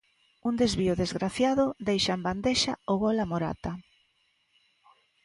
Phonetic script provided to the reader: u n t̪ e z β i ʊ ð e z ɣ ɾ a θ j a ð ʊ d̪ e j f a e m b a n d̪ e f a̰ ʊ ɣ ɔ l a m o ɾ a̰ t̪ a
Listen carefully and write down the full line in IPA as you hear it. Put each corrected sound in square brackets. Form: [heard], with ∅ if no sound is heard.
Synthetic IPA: u n [d̪] e z β i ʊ ð e z ɣ ɾ a θ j a ð ʊ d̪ e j [ʃ] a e m b a n d̪ e [ʃ] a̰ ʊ ɣ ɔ l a m o ɾ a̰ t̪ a